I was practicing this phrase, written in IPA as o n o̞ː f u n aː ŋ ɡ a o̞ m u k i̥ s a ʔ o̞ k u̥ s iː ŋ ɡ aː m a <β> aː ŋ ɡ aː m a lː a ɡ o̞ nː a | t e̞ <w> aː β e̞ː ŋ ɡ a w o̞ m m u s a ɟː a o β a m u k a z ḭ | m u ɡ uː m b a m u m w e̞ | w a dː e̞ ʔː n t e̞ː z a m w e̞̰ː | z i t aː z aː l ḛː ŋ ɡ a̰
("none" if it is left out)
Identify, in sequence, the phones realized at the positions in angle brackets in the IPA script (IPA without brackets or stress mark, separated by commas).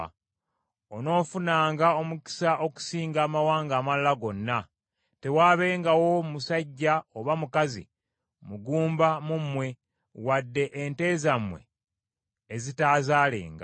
w, w